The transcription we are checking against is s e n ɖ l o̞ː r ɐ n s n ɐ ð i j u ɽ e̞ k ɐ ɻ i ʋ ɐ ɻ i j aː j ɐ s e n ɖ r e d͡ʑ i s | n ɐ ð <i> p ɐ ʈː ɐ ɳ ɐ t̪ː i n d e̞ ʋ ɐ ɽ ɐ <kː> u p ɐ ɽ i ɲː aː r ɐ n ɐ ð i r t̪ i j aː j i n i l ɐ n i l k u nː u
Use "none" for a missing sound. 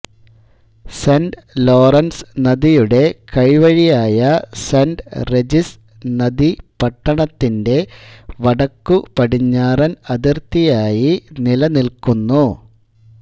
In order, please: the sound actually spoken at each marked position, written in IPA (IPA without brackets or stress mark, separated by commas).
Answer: i, kː